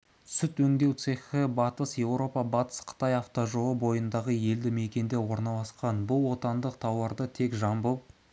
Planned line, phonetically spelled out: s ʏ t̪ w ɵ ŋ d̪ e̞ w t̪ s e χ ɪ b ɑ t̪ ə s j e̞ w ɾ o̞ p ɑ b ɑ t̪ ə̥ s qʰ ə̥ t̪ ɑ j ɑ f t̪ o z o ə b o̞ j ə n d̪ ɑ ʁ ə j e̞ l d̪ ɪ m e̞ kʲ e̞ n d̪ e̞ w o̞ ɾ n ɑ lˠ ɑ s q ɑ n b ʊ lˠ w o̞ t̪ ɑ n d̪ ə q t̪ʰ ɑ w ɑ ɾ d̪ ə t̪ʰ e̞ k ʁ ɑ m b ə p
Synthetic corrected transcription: s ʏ t̪ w ɵ ŋ d̪ e̞ w t̪ s e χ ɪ b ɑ t̪ ə s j e̞ w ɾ o̞ p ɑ b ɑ t̪ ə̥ s qʰ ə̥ t̪ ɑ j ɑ f t̪ o ʒ o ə b o̞ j ə n d̪ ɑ ʁ ə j e̞ l d̪ ɪ m e̞ kʲ e̞ n d̪ e̞ w o̞ ɾ n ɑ lˠ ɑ s q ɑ n b ʊ lˠ w o̞ t̪ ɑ n d̪ ə q t̪ʰ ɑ w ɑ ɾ d̪ ə t̪ʰ e̞ k ʒ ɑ m b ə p